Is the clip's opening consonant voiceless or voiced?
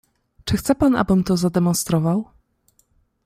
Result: voiceless